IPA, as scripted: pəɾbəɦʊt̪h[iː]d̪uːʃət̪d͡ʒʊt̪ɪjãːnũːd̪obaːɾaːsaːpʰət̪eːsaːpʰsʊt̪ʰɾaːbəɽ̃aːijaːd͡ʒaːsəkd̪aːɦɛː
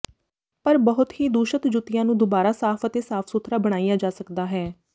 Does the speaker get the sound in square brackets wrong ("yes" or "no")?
no